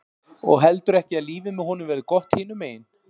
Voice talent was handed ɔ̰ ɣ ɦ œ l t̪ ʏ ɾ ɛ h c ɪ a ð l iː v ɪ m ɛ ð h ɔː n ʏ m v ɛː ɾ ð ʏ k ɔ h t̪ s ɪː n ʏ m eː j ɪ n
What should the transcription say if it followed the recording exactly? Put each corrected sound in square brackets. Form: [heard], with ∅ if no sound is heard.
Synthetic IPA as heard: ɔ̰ ɣ ɦ [ɛ] l t̪ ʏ ɾ ɛ h c ɪ a ð l iː v ɪ m ɛ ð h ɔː n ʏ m v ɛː ɾ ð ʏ k ɔ h t̪ [h] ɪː n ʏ m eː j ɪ n